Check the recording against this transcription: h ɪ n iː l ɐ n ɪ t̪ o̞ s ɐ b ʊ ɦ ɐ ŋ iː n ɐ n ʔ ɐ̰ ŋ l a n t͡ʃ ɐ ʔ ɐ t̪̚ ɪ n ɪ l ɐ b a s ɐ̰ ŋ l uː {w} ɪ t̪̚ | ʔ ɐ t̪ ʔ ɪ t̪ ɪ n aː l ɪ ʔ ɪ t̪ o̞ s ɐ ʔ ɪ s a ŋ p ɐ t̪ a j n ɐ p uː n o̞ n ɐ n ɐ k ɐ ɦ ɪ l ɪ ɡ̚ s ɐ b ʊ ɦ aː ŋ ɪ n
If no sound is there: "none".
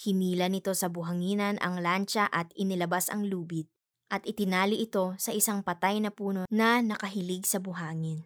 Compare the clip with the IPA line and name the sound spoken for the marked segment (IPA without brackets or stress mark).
b